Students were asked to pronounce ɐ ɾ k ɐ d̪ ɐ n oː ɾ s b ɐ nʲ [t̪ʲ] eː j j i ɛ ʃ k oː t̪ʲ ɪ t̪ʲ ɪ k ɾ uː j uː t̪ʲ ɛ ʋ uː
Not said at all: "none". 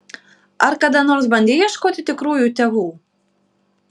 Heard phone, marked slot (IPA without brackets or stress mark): d̪ʲ